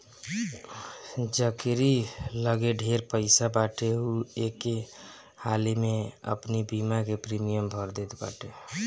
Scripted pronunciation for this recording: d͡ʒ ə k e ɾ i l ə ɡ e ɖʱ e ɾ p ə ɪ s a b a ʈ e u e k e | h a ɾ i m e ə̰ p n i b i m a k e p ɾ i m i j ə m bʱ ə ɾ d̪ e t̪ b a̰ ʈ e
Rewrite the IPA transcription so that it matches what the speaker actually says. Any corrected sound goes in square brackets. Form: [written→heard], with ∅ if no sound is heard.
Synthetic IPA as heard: d͡ʒ ə k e ɾ i l ə ɡ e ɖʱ e ɾ p ə ɪ s a b a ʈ e u e k e | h a [ɾ→l] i m e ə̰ p n i b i m a k e p ɾ i m i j ə m bʱ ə ɾ d̪ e t̪ b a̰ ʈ e